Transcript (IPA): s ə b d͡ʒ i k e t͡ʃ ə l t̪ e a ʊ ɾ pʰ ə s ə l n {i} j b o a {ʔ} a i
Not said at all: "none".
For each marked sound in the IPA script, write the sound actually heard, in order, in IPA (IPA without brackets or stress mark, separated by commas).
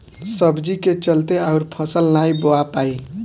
a, p